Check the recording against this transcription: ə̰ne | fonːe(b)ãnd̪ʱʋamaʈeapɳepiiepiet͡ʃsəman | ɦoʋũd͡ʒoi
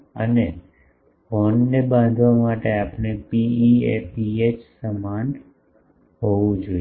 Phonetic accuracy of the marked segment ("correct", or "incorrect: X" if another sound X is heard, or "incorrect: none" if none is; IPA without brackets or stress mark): correct